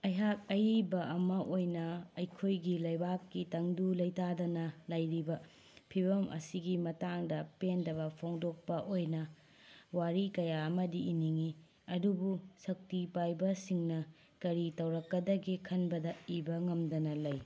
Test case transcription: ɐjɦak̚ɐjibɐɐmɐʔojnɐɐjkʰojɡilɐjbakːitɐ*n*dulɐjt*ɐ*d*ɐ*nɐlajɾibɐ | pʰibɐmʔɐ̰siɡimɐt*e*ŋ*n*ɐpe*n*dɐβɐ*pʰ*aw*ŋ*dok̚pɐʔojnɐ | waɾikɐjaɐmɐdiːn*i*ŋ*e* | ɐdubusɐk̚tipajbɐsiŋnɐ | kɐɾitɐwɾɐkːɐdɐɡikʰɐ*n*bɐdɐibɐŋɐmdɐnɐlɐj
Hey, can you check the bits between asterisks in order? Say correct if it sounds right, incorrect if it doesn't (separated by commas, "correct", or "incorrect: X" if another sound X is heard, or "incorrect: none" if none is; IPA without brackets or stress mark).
incorrect: ŋ, incorrect: a, correct, incorrect: a, incorrect: d, correct, correct, correct, correct, incorrect: i, correct